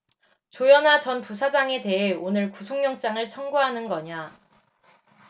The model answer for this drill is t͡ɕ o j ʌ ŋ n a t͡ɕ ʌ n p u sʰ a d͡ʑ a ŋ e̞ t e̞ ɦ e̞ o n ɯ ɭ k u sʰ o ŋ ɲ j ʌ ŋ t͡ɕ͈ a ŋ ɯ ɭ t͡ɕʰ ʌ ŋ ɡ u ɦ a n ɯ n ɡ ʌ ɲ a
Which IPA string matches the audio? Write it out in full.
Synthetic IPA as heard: t͡ɕ o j ʌ n a t͡ɕ ʌ n p u sʰ a d͡ʑ a ŋ e̞ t e̞ ɦ e̞ o n ɯ ɭ k u sʰ o ŋ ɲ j ʌ ŋ t͡ɕ͈ a ŋ ɯ ɭ t͡ɕʰ ʌ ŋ ɡ u ɦ a n ɯ n ɡ ʌ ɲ a